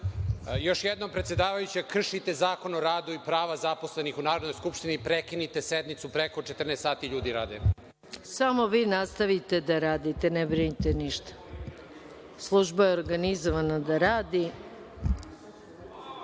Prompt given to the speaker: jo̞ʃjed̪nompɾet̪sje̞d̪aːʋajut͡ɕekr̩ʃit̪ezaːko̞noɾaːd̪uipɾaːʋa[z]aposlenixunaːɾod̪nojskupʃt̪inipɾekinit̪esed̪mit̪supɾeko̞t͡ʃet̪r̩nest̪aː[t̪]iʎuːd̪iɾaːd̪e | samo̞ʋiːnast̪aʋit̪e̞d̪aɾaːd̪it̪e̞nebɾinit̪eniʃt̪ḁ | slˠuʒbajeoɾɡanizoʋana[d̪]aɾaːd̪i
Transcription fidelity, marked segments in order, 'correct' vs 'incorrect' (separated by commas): correct, correct, correct